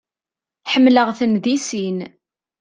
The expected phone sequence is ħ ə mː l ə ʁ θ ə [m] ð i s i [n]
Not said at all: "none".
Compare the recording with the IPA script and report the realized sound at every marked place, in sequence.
n, n

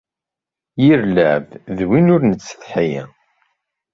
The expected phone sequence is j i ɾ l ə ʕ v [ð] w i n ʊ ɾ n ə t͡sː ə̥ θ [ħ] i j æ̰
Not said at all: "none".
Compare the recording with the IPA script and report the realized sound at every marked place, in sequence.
ð, ħ

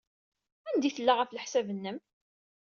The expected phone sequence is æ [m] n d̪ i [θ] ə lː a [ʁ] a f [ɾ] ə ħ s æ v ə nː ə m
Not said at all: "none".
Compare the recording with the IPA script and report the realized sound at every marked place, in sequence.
none, θ, ʁ, l

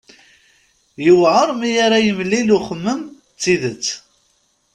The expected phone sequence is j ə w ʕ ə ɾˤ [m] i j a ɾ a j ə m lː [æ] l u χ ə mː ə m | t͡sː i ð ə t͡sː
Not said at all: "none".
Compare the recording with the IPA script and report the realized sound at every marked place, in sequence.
m, i

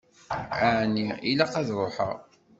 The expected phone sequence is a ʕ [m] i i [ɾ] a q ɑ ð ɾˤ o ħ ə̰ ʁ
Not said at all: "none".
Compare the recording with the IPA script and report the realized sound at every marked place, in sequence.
n, l

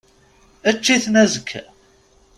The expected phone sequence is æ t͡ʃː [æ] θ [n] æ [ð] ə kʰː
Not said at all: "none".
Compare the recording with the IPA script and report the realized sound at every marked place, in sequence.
i, n, z

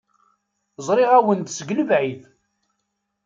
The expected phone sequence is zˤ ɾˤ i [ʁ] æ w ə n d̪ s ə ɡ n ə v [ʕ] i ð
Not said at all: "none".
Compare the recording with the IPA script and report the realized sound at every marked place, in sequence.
ʁ, ʕ

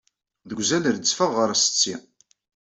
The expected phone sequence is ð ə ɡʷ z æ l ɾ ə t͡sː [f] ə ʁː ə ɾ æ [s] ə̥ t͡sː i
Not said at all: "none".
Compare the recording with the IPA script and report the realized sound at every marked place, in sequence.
f, s

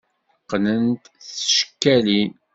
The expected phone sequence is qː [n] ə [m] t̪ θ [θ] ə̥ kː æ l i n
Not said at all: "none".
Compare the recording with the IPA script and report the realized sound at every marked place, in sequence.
n, n, ʃ

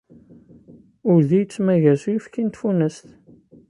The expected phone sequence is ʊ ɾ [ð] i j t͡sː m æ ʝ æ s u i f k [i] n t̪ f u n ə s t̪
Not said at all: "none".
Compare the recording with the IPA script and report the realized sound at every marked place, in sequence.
ð, i

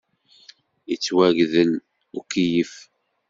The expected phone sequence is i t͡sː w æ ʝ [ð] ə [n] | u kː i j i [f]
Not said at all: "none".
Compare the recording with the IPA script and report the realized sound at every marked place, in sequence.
ð, n, f

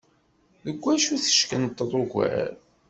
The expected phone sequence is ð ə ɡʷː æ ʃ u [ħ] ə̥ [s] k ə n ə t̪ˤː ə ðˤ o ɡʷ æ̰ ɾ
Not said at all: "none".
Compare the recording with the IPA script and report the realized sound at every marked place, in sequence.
θ, ʃ

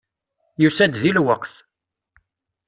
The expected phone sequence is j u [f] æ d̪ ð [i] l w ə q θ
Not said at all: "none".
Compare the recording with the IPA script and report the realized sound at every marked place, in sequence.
s, i

